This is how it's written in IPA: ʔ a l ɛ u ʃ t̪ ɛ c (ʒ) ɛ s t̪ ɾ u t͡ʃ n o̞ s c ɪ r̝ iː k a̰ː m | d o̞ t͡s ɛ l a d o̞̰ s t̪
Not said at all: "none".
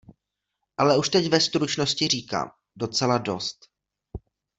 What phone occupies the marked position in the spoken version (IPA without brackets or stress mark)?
v